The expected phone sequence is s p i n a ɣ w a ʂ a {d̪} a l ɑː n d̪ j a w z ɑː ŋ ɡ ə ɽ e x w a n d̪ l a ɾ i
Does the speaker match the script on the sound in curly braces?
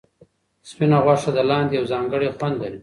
yes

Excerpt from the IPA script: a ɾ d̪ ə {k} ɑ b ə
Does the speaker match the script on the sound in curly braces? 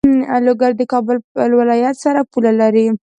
yes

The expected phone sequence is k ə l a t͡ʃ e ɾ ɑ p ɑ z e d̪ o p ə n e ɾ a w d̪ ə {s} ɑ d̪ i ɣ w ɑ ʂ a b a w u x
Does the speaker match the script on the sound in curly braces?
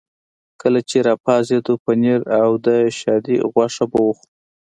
no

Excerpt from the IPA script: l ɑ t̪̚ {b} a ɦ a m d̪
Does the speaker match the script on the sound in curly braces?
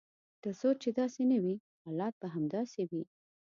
yes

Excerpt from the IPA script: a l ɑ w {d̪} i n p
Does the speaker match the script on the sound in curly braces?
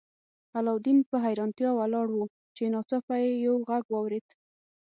yes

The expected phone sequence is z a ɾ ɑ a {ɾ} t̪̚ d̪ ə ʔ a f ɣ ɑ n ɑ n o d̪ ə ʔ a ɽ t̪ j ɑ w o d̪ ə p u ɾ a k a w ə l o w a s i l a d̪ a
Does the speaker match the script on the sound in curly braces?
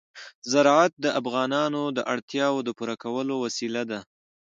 no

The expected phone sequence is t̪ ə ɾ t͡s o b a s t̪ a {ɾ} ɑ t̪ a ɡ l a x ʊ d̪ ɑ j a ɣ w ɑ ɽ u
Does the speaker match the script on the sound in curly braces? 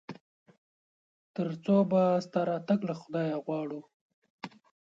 yes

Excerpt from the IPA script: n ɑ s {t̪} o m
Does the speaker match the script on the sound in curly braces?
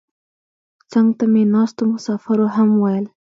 yes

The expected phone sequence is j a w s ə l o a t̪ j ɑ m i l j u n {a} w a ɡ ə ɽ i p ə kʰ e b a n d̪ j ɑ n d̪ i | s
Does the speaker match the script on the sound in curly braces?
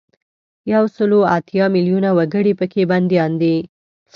yes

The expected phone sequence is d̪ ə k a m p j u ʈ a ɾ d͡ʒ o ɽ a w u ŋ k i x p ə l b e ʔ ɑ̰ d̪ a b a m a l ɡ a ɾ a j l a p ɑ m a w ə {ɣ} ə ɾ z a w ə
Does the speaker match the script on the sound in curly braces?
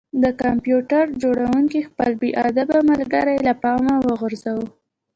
yes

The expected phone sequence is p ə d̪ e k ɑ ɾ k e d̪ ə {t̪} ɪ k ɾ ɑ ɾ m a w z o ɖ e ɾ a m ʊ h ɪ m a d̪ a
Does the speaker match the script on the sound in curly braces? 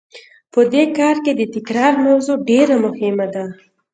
yes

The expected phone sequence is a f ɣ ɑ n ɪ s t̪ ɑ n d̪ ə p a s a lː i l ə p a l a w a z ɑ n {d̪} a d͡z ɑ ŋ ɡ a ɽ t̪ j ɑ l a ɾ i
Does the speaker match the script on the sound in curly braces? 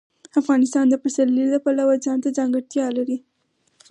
no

